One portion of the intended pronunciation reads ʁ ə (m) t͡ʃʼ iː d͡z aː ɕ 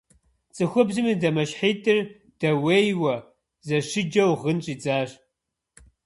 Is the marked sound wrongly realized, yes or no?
yes